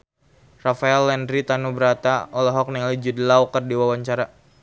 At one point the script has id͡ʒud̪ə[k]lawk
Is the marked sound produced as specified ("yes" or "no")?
no